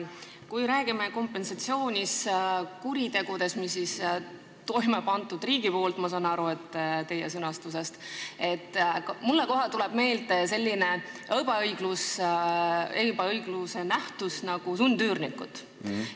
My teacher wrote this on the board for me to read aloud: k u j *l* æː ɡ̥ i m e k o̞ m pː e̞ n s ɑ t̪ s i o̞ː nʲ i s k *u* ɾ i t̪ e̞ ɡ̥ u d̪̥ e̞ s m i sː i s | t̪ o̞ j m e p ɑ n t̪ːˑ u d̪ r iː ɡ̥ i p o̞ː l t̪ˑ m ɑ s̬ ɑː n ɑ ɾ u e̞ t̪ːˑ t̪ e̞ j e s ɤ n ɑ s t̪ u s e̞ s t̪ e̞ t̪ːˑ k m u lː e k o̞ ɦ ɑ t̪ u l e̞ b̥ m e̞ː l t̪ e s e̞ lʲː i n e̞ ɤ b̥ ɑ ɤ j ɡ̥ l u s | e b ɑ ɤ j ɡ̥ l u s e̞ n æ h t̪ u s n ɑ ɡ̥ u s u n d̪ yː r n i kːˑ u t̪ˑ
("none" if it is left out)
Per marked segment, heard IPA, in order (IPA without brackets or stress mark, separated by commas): ɾ, u